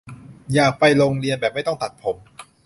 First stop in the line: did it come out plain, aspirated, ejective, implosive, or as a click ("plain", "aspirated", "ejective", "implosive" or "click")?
plain